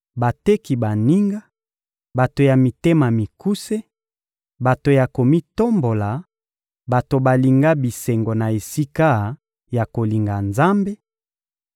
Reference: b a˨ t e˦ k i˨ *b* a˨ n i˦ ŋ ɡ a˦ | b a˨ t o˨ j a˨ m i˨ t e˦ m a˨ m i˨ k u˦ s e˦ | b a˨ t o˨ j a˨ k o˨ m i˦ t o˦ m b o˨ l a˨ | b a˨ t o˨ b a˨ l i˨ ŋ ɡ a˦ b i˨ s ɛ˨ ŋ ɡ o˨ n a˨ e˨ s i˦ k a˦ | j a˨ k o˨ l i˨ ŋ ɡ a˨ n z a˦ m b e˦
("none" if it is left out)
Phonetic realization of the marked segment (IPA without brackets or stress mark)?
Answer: b